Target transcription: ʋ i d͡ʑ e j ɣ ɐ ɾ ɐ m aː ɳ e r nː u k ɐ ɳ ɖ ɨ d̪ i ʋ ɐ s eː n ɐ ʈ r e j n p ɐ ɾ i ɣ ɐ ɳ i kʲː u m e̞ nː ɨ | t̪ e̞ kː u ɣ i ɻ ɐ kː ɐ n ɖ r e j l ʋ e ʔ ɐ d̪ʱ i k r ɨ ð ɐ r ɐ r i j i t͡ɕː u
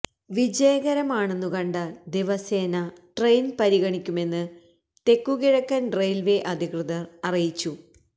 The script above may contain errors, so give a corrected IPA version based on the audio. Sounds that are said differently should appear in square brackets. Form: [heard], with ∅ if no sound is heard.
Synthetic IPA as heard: ʋ i d͡ʑ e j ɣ ɐ ɾ ɐ m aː ɳ e [∅] nː u k ɐ ɳ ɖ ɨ d̪ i ʋ ɐ s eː n ɐ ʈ r e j n p ɐ ɾ i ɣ ɐ ɳ i kʲː u m e̞ nː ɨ | t̪ e̞ kː u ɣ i ɻ ɐ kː ɐ n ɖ r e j l ʋ e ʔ ɐ d̪ʱ i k r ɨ ð ɐ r ɐ r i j i t͡ɕː u